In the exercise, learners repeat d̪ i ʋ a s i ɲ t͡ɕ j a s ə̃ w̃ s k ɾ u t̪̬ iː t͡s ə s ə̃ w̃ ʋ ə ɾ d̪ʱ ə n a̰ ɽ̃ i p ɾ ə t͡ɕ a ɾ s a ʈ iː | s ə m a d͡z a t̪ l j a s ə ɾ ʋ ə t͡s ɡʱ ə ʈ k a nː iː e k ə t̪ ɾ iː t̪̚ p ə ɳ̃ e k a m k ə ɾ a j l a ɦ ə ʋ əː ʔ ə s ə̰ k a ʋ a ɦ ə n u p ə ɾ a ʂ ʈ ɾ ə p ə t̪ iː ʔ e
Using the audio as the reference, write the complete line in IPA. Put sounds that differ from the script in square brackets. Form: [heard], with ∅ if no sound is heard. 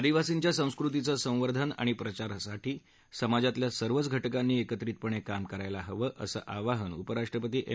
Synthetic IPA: d̪ i ʋ a s i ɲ t͡ɕ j a s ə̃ w̃ s k ɾ u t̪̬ [i] t͡s ə s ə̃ w̃ ʋ ə ɾ d̪ʱ ə n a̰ ɽ̃ i p ɾ ə t͡ɕ a ɾ s a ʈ iː | s ə m a d͡z a t̪ l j a s ə ɾ ʋ ə t͡s ɡʱ ə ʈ k a nː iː e k ə t̪ ɾ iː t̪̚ p ə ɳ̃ e k a m k ə ɾ a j l a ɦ ə ʋ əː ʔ ə s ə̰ [ʔ] a ʋ a ɦ ə n u p ə ɾ a ʂ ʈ ɾ ə p ə t̪ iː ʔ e